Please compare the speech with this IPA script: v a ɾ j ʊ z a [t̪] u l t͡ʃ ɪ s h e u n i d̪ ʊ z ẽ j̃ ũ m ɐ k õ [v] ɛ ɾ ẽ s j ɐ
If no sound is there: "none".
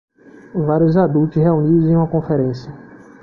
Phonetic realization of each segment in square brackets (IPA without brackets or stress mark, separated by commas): d̪, f